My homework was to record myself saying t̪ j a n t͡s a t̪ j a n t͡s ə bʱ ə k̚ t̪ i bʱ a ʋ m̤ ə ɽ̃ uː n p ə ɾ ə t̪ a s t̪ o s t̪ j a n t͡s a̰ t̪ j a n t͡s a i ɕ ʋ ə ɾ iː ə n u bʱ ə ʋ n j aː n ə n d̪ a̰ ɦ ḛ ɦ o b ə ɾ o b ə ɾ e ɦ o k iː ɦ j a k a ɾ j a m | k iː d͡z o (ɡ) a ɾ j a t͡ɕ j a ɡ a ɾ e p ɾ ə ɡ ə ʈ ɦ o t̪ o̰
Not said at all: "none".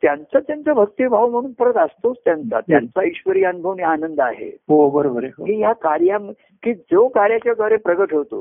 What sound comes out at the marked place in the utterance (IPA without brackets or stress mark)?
k